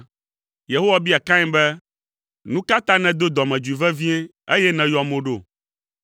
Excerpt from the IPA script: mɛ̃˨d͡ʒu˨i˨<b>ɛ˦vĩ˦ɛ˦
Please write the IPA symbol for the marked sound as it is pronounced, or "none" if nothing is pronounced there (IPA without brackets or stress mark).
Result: v